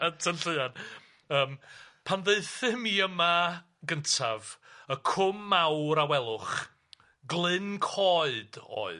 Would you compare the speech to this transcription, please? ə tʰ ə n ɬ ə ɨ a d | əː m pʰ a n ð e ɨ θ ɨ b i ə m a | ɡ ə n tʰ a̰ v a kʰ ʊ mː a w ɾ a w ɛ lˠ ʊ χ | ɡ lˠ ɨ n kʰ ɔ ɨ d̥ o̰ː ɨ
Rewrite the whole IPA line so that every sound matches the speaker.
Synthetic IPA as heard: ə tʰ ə n ɬ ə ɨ a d | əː m pʰ a n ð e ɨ θ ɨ m i ə m a | ɡ ə n tʰ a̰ v ə kʰ ʊ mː a w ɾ a w ɛ lˠ ʊ χ | ɡ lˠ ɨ n kʰ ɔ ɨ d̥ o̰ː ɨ